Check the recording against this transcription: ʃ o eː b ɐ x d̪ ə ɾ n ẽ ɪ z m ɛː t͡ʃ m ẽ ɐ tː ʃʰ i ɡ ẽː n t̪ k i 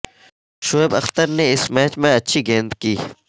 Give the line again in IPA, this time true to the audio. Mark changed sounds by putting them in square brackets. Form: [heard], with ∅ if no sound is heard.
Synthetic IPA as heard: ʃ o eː b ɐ x [t̪] ə ɾ n [e] ɪ [s] m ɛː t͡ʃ m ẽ ɐ tː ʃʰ i ɡ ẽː n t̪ k [iː]